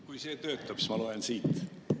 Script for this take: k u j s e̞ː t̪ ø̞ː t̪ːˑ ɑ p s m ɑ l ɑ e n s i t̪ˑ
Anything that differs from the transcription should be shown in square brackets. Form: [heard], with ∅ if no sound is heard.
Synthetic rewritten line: k u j s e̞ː t̪ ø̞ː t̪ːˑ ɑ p s m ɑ l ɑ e n s [iː] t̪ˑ